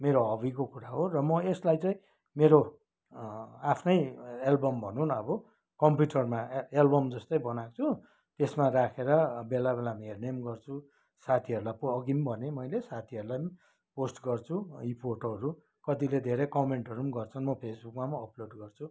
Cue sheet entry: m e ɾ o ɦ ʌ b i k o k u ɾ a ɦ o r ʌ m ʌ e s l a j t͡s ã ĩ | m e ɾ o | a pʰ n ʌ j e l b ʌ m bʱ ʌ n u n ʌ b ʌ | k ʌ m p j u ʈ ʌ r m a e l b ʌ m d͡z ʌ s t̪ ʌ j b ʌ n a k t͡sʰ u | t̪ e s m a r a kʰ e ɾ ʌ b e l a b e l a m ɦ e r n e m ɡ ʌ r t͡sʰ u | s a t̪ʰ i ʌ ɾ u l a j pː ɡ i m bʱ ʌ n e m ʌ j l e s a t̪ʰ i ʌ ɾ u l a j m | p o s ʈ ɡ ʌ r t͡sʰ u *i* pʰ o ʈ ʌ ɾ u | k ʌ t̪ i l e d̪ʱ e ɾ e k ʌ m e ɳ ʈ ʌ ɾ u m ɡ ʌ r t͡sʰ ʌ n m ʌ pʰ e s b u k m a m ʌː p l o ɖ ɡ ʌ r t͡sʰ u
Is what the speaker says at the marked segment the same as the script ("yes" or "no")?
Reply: yes